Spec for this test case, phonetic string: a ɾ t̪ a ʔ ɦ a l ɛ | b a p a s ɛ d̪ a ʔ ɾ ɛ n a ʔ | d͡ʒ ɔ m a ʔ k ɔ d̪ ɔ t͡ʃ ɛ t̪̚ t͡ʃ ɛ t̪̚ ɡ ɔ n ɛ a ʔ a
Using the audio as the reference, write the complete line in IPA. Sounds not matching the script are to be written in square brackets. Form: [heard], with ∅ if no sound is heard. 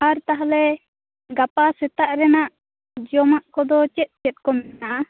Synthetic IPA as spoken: a ɾ t̪ a [∅] ɦ a l ɛ | [ɡ] a p a s ɛ [t̪] a ʔ ɾ ɛ n a ʔ | d͡ʒ ɔ m a ʔ k ɔ d̪ ɔ t͡ʃ ɛ t̪̚ t͡ʃ ɛ t̪̚ [k] ɔ [m] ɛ a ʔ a